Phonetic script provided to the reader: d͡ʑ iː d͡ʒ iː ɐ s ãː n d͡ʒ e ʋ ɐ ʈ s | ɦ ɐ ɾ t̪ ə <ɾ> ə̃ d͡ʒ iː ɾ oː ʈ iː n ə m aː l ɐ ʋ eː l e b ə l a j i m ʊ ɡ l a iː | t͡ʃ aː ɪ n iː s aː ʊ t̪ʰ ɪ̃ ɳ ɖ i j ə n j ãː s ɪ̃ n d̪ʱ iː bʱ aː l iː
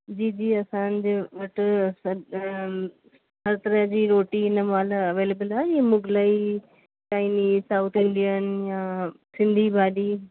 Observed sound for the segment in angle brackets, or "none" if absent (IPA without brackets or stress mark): ɾ